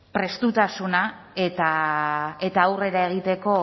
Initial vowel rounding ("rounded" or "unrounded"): unrounded